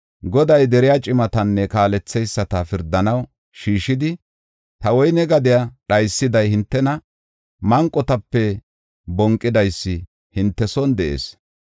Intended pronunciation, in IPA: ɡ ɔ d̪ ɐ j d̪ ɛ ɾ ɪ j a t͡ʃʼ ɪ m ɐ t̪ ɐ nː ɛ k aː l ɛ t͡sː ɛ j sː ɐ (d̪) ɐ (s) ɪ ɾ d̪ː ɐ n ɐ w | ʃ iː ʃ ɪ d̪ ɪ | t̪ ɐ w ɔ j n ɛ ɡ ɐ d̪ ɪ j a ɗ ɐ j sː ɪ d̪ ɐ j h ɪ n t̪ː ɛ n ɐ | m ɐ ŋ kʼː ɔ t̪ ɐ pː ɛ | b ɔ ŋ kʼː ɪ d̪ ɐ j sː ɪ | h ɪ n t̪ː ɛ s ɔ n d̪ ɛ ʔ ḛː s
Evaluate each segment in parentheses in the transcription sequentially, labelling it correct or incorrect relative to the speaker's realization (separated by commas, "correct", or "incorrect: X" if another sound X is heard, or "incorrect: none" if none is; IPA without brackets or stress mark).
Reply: incorrect: t̪, incorrect: f